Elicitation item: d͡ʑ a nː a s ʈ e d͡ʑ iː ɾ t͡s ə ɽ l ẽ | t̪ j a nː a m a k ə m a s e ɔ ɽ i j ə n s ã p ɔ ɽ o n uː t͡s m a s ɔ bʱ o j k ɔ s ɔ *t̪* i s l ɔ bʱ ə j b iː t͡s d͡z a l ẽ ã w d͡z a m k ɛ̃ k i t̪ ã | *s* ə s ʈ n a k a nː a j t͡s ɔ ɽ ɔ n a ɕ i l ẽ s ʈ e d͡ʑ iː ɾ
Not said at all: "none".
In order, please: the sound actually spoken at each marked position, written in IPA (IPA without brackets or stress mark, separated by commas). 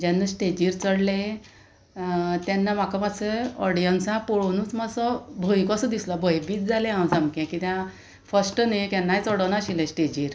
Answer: d̪, f